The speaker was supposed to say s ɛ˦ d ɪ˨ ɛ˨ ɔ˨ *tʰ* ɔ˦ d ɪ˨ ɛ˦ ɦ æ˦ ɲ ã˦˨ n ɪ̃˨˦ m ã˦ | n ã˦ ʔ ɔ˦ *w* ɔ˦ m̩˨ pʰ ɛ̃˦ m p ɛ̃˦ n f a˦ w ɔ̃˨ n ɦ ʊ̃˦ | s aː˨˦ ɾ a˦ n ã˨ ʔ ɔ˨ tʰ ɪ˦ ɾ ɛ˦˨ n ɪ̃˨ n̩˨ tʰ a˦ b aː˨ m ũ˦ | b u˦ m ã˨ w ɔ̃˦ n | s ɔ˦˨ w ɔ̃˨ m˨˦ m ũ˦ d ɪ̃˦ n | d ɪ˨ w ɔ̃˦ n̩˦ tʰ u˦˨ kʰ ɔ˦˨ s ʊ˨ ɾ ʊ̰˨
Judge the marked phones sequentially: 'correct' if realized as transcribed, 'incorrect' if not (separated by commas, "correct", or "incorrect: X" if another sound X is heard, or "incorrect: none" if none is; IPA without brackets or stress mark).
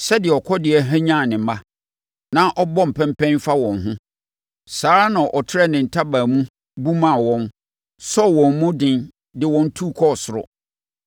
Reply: incorrect: kʰ, incorrect: b